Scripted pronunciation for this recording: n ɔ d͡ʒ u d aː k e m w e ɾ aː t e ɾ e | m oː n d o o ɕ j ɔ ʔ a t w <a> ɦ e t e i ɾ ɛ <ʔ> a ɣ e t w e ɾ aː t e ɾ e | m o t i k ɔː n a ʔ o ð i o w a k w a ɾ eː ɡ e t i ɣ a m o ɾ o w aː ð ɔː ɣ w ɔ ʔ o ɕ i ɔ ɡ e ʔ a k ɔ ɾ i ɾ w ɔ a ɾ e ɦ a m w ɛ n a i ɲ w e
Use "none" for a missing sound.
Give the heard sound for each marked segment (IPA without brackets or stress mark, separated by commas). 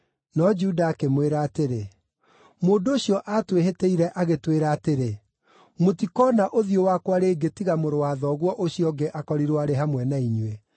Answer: e, ʔ